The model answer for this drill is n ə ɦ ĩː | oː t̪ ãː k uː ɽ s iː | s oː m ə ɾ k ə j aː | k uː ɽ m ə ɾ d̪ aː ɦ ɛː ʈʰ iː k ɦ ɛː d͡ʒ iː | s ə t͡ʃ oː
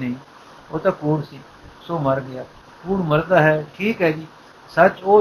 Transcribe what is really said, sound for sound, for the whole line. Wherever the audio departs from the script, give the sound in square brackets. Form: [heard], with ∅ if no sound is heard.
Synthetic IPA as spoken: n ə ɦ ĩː | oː t̪ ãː k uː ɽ s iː | s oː m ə ɾ [ɡ] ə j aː | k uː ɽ m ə ɾ d̪ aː ɦ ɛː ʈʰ iː k ɦ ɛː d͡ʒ iː | s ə t͡ʃ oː